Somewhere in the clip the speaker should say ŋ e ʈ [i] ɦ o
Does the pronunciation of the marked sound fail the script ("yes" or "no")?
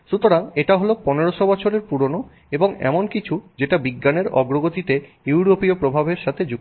yes